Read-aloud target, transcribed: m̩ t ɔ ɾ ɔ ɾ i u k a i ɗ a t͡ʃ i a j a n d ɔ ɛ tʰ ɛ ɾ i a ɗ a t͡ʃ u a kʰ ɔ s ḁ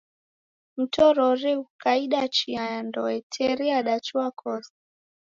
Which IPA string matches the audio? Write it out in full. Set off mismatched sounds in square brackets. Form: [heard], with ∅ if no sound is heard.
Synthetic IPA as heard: m̩ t ɔ ɾ ɔ ɾ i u k a i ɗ a t͡ʃ i a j a n d ɔ ɛ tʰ ɛ ɾ i a ɗ a t͡ʃ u a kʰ ɔ s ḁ